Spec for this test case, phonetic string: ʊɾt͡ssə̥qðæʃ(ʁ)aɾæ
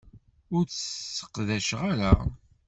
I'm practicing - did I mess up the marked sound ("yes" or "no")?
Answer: no